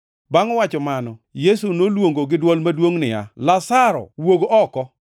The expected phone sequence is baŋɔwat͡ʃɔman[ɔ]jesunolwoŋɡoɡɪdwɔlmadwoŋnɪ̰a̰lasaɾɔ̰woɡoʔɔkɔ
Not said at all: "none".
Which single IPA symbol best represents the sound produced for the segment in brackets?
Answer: ɔ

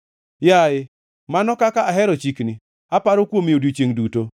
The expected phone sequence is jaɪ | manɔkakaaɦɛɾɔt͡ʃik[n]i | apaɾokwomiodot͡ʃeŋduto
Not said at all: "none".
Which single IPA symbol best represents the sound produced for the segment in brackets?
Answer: n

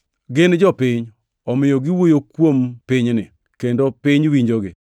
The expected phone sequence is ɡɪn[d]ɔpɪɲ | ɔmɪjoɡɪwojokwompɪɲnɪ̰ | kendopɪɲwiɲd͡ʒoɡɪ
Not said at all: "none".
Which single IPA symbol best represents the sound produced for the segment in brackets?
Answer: d͡ʒ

